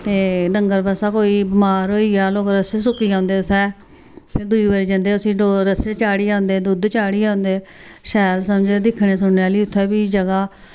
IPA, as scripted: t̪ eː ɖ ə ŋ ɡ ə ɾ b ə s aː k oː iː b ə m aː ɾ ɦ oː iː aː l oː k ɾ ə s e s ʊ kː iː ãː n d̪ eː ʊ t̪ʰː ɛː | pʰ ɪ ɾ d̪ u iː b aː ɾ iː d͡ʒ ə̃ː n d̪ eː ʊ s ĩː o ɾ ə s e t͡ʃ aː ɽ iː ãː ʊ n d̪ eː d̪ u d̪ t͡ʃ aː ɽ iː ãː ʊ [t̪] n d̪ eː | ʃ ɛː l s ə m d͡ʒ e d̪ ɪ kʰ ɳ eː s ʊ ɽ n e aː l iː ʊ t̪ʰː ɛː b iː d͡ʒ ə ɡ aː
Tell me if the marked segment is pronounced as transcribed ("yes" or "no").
no